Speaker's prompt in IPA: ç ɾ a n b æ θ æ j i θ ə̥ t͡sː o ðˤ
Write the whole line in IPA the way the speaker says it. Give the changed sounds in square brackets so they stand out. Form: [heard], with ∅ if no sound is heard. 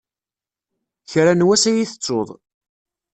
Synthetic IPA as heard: ç ɾ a n [w] æ [s] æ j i θ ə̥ t͡sː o ðˤ